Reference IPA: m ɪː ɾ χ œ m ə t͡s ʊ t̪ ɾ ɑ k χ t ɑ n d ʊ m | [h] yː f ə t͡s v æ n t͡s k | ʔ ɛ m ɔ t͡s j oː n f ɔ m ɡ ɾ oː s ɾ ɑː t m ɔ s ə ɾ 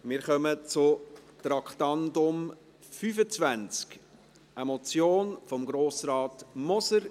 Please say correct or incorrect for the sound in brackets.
incorrect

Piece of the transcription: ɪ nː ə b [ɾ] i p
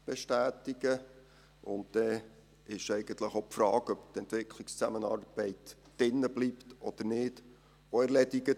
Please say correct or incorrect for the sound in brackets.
incorrect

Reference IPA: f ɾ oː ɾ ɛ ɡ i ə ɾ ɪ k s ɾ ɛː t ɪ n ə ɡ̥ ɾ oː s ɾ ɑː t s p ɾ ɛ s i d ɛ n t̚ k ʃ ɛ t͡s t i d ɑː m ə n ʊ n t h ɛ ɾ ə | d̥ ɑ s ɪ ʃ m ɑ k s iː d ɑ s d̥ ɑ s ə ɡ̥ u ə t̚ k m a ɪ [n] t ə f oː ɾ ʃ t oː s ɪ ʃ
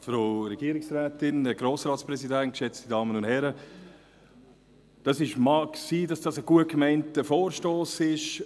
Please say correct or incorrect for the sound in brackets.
correct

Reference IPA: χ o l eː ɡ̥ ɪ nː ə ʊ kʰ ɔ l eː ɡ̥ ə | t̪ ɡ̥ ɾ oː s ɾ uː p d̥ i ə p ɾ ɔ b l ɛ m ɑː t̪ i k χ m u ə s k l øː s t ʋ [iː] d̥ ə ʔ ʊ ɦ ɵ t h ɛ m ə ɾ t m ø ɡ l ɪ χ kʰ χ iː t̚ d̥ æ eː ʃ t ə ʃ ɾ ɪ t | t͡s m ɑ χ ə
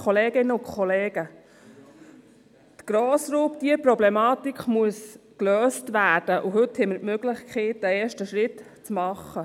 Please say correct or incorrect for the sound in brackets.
incorrect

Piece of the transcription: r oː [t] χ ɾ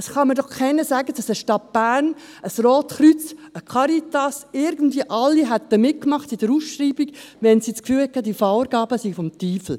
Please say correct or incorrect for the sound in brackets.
correct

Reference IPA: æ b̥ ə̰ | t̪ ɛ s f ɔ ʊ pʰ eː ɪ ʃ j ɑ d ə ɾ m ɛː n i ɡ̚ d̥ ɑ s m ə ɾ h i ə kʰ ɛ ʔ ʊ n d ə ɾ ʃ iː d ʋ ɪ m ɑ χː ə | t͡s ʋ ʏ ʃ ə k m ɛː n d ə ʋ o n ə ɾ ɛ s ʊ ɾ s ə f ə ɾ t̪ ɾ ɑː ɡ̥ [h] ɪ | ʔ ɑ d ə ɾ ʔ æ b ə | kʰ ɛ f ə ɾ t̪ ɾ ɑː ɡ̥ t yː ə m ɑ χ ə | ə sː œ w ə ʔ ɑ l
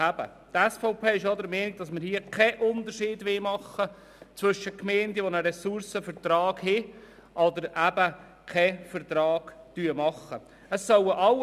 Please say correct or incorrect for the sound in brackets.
correct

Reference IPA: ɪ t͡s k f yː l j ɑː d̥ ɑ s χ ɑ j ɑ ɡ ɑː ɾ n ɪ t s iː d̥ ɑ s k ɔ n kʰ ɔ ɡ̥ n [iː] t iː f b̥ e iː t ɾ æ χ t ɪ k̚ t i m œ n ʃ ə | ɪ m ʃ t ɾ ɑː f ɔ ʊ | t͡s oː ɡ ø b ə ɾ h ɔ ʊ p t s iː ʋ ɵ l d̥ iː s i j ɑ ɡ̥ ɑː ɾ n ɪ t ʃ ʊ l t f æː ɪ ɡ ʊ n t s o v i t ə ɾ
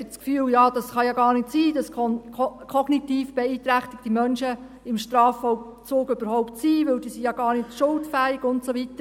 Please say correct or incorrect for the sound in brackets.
incorrect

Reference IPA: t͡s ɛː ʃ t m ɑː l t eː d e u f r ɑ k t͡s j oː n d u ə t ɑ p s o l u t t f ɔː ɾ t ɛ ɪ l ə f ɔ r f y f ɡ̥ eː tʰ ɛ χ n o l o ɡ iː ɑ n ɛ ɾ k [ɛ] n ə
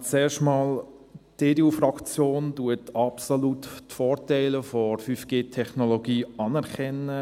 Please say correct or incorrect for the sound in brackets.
correct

